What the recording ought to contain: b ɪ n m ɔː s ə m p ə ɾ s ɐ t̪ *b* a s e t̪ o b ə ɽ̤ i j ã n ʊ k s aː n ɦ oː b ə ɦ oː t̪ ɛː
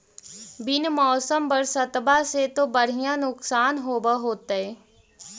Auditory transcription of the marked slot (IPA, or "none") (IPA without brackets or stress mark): b